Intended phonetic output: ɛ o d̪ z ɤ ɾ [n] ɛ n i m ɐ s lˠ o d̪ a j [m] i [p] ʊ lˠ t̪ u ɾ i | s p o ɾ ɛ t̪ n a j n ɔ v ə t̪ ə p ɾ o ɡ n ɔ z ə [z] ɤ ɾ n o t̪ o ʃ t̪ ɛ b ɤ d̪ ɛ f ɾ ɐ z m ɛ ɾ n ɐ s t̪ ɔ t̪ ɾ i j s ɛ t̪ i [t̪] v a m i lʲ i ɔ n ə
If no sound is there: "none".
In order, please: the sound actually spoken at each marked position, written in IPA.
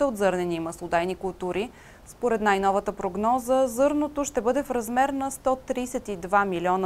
n, n, k, z, d̪

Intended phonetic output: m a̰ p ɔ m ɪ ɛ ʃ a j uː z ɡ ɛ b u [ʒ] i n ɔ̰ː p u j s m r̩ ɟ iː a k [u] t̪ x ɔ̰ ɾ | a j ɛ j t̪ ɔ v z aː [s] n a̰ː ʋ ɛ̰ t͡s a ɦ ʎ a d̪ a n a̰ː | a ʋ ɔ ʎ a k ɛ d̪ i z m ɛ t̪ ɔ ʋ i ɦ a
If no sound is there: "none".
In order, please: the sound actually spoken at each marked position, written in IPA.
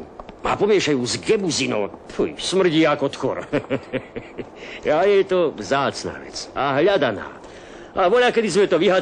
z, ɔ, t͡s

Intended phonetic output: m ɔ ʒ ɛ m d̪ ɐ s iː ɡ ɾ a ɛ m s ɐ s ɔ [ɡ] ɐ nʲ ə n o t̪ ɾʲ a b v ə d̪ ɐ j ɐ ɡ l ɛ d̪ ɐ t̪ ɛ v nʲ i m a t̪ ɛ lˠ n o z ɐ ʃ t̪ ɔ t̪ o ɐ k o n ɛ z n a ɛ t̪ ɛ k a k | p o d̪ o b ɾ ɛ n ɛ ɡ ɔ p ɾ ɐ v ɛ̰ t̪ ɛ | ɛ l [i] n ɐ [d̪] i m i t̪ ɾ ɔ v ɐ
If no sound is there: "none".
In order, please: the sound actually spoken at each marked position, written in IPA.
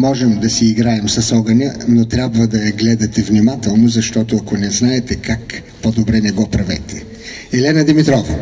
ɡ, ɛ, d̪

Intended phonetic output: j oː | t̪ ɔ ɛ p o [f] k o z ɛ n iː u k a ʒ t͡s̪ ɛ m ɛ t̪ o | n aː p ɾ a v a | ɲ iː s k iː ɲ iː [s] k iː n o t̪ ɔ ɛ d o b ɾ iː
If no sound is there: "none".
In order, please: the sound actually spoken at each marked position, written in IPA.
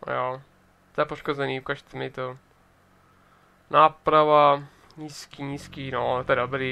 ʃ, s

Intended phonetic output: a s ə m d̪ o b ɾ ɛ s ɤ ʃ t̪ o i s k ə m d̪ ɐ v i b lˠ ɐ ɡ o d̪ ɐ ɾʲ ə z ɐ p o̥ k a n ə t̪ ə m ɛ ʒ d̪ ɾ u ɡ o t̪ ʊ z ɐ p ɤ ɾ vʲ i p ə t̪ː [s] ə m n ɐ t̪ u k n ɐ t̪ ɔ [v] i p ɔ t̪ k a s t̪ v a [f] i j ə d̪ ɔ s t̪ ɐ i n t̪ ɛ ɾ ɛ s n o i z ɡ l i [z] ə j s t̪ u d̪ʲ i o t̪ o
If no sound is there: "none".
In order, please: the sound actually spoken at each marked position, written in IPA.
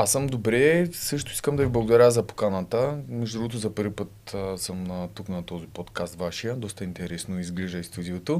s, z, ʃ, ʒ

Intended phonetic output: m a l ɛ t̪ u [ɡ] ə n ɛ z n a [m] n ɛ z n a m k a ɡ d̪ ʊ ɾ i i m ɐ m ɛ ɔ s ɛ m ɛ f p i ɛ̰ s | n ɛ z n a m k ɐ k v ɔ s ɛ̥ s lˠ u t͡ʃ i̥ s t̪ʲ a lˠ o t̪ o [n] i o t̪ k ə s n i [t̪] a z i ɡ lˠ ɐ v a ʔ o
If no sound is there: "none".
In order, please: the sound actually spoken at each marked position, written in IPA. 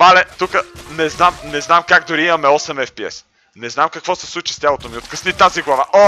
k, m, m, t̪

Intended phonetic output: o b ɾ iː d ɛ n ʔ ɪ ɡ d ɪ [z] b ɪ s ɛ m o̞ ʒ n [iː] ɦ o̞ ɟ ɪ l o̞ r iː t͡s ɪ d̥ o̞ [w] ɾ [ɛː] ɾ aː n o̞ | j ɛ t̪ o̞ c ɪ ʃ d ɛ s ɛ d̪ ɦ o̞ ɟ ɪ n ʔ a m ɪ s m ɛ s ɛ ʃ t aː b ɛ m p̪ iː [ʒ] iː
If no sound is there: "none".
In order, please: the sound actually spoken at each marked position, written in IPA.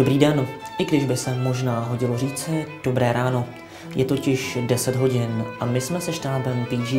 ʒ, aː, b, ɛː, ʒ

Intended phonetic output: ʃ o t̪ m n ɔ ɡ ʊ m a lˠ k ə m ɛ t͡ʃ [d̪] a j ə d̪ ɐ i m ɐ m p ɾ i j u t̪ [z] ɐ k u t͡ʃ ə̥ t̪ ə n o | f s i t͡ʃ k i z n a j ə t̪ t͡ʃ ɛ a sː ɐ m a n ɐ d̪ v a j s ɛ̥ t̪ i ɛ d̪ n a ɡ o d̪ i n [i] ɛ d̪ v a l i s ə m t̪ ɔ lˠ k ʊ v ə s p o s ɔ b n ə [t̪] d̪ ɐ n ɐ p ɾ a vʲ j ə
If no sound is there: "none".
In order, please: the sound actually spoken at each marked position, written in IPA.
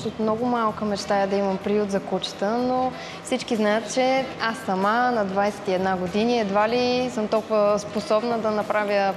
t̪, z, i, none

